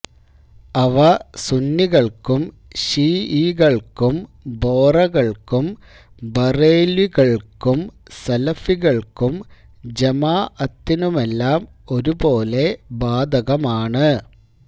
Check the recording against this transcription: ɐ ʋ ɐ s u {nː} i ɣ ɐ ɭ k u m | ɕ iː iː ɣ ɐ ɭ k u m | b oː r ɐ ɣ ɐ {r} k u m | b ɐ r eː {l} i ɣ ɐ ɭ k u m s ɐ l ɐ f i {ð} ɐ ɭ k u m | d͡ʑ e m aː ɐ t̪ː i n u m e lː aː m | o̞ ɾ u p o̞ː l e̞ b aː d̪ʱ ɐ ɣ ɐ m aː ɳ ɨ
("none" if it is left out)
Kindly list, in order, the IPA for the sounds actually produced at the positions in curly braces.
nː, ɭ, l, ɣ

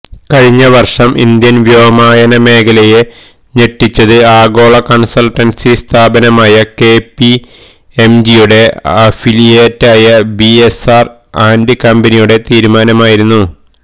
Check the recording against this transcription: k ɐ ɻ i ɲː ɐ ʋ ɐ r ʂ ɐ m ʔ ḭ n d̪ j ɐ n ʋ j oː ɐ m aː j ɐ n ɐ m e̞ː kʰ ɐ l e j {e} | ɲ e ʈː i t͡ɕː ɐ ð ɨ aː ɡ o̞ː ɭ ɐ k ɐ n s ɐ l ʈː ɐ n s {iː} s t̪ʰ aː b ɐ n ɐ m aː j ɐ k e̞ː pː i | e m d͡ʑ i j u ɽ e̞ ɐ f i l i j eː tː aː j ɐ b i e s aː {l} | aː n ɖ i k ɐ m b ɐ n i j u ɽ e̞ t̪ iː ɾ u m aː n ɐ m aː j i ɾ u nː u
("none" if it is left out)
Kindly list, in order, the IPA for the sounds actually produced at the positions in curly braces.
e, i, r

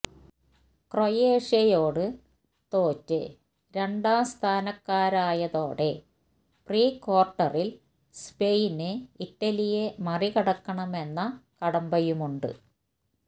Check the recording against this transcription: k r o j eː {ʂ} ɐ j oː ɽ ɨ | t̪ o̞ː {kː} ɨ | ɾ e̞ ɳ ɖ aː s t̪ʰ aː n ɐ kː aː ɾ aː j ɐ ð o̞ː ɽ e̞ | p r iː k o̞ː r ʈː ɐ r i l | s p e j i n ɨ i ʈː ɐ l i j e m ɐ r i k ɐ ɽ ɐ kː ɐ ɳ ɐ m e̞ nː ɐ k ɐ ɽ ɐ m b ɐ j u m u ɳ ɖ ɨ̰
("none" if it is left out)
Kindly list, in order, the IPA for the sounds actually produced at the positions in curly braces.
ʂ, tː

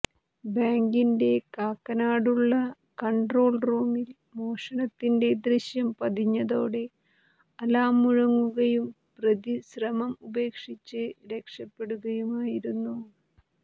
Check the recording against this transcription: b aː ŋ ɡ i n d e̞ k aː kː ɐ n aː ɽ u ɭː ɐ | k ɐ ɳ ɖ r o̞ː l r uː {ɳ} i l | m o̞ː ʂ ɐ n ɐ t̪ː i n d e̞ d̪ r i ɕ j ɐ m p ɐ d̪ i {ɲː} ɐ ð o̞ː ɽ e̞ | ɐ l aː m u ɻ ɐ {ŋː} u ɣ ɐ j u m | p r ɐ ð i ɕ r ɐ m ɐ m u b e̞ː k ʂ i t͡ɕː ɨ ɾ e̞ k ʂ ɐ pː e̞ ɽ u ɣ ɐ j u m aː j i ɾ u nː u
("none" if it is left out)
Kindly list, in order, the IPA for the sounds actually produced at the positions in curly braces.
m, ɲː, ŋː

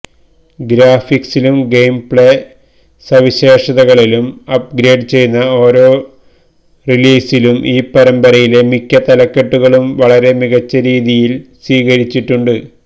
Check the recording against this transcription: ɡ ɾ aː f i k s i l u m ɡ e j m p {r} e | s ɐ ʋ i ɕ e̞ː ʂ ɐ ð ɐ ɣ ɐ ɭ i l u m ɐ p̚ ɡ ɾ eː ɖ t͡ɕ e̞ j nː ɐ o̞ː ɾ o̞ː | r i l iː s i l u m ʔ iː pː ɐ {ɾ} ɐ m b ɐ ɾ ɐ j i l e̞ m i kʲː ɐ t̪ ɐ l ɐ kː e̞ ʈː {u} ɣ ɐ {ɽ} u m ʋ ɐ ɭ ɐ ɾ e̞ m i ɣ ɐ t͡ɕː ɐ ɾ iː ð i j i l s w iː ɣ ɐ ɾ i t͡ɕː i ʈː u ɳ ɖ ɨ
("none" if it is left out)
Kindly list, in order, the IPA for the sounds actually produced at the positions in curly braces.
ɭ, ɾ, u, ɭ

